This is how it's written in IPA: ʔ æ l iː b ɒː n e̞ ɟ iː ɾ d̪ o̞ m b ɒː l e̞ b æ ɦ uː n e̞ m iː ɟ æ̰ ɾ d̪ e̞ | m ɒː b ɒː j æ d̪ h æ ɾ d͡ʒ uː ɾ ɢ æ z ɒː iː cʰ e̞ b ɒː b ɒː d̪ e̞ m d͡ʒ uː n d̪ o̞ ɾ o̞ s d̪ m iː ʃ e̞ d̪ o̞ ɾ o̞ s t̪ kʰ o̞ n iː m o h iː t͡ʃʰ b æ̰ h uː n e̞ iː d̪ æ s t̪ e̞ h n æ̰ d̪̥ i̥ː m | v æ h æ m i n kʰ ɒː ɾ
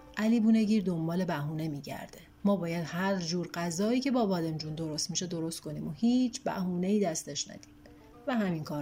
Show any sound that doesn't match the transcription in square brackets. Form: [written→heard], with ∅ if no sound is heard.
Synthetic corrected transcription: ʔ æ l iː b [ɒː→uː] n e̞ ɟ iː ɾ d̪ o̞ m b ɒː l e̞ b æ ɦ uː n e̞ m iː ɟ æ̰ ɾ d̪ e̞ | m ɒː b ɒː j æ d̪ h æ ɾ d͡ʒ uː ɾ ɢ æ z ɒː iː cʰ e̞ b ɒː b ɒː d̪ e̞ m d͡ʒ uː n d̪ o̞ ɾ o̞ s [d̪→t̪] m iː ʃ e̞ d̪ o̞ ɾ o̞ s t̪ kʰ o̞ n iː m o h iː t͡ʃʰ b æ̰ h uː n e̞ iː d̪ æ s t̪ e̞ [h→ʃ] n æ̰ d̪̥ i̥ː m | v æ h æ m i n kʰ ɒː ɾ